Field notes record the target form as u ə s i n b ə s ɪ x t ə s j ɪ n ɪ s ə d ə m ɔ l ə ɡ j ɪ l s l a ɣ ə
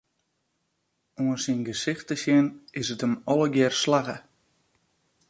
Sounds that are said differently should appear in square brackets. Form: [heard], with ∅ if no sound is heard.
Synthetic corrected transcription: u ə s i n [ɡ] ə s ɪ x t ə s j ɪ n ɪ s ə [t] ə m ɔ l ə ɡ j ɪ [r] s l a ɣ ə